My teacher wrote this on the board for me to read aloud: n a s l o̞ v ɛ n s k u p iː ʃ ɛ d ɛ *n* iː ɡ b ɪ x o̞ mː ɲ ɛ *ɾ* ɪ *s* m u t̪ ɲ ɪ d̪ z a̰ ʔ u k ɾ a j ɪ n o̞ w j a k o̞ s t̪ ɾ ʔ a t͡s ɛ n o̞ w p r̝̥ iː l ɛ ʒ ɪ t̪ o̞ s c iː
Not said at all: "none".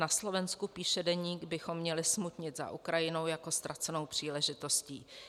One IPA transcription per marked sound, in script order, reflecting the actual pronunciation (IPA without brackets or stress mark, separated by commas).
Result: ɲ, l, s